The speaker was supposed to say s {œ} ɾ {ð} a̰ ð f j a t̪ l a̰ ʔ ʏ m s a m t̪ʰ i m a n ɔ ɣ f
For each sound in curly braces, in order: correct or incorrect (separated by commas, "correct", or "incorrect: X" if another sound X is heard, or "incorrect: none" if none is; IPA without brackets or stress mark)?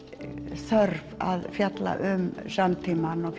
correct, incorrect: v